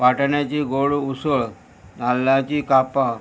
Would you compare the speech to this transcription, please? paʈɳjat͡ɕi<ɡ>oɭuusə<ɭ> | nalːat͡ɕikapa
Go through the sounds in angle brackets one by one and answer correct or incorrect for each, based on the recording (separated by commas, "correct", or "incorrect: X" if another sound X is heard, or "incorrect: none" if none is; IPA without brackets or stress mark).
correct, correct